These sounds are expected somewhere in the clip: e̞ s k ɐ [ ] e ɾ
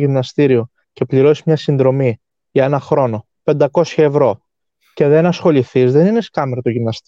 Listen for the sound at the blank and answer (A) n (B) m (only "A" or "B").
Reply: B